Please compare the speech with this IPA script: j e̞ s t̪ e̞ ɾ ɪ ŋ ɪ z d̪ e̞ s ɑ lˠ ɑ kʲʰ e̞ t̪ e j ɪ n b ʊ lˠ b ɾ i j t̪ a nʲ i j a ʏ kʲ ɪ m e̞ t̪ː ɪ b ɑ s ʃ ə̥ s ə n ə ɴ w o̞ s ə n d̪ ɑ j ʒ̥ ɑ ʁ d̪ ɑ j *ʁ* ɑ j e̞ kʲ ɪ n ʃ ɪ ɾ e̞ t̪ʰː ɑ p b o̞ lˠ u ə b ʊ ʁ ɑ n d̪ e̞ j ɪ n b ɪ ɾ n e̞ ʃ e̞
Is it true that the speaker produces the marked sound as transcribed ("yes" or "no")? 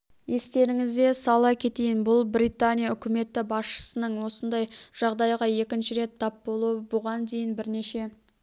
yes